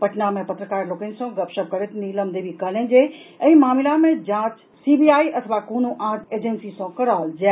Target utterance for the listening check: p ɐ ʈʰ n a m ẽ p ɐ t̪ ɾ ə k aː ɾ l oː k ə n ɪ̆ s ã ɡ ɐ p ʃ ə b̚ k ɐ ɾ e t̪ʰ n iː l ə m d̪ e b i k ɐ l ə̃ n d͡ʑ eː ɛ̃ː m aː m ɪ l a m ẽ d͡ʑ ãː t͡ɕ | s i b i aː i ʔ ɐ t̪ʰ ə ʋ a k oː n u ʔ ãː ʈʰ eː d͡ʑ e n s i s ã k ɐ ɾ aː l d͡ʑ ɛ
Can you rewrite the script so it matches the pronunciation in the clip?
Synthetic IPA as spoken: p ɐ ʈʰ n a m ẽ p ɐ t̪ ɾ ə k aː ɾ l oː k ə n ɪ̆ s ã ɡ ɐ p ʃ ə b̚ k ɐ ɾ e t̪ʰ n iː l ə m d̪ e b i k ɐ l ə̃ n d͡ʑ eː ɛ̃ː m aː m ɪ l a m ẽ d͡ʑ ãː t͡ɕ | s i b i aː i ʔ ɐ t̪ʰ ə ʋ a k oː n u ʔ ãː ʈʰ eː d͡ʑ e n s i s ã k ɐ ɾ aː l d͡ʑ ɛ